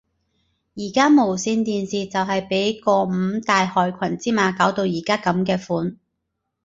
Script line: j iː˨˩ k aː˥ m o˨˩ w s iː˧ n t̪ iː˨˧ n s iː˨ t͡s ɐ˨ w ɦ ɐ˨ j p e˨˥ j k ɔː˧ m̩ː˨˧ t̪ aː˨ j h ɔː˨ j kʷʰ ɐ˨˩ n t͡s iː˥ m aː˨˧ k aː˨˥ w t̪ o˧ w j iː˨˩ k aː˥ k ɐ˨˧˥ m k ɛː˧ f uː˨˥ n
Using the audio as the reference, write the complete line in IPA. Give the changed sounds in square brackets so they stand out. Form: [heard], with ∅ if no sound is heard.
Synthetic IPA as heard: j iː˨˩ k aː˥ m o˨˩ w s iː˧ n t̪ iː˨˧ n s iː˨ t͡s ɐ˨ w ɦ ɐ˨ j p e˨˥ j k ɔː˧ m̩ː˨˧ t̪ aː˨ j h ɔː˨ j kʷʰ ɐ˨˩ n t͡s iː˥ m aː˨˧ k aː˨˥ w t̪ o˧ w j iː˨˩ k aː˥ k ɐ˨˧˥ m k ɛː˧ f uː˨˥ n